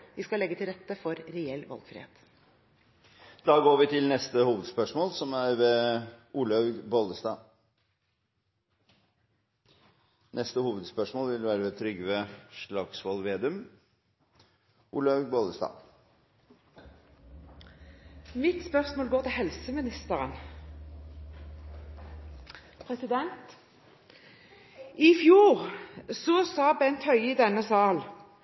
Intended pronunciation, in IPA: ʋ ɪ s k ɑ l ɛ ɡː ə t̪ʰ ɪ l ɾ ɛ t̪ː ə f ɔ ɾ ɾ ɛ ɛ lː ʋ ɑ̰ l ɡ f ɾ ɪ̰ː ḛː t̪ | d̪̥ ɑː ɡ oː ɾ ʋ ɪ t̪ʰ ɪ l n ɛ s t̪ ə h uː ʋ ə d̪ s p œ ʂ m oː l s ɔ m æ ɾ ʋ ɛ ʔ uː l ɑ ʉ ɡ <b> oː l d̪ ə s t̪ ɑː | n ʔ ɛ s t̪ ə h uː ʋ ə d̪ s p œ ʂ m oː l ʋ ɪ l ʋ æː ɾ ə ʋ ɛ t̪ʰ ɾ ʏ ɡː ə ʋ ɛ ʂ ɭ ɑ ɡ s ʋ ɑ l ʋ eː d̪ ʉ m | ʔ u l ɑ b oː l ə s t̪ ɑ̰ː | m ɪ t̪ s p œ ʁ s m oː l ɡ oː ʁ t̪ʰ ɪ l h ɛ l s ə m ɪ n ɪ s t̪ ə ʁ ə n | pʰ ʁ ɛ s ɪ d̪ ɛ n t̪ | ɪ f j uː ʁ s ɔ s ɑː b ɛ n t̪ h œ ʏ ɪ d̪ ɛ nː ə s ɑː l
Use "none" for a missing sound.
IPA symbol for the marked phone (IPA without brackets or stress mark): b